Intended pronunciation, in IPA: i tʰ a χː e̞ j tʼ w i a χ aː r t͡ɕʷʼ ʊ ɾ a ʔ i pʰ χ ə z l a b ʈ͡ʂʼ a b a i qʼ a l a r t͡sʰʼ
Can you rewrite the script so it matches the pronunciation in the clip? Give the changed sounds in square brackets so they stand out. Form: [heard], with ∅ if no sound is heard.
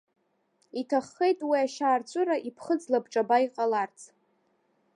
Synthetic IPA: i tʰ a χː e̞ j tʼ w i a [ʃ] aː r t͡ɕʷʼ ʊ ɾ a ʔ i pʰ χ ə [d͡z] l a b ʈ͡ʂʼ a b a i qʼ a l a r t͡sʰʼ